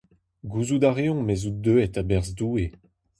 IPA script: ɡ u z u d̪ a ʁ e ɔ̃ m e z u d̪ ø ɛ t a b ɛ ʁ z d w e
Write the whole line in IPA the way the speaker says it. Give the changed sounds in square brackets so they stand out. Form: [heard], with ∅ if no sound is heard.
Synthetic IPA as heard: ɡ u z u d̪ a ʁ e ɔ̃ m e z u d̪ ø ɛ t a b ɛ ʁ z d [u] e